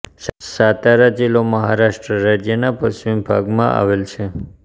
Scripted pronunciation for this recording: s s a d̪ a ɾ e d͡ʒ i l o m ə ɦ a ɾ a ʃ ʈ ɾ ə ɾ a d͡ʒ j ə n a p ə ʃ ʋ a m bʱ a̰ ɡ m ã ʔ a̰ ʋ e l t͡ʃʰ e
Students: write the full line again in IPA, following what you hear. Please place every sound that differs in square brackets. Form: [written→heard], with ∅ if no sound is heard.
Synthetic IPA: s s a [d̪→t̪] a ɾ [e→a] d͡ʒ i l o m ə ɦ a ɾ a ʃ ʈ ɾ ə ɾ a d͡ʒ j ə n a p ə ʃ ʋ [a→i] m bʱ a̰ ɡ m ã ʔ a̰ ʋ e l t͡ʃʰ e